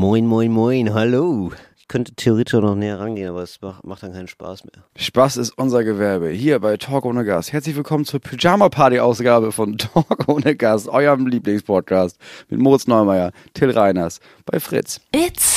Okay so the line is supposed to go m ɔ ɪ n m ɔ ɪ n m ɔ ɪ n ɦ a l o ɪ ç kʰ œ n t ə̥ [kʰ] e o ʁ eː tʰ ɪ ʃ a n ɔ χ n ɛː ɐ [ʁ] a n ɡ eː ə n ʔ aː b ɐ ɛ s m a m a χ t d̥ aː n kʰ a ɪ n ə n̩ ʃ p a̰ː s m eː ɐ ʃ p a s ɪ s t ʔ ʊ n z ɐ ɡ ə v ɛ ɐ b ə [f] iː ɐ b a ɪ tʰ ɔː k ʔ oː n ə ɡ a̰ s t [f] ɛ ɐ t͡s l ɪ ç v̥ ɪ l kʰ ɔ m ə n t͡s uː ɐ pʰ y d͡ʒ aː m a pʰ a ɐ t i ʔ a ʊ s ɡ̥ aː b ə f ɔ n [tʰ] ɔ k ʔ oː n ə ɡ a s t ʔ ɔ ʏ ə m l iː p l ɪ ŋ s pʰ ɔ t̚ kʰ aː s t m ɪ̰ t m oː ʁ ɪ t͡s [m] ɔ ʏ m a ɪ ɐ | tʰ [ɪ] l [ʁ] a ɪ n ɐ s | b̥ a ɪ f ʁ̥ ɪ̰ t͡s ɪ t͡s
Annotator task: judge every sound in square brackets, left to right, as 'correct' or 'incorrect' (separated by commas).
incorrect, correct, incorrect, incorrect, correct, incorrect, correct, correct